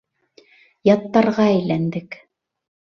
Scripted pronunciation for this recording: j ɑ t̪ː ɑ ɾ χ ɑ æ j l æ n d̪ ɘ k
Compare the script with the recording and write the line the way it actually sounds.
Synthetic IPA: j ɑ t̪ː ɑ ɾ ʁ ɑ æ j l æ n d̪ ɘ k